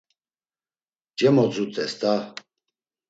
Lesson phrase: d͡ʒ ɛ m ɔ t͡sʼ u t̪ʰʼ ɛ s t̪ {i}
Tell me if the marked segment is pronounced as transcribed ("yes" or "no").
no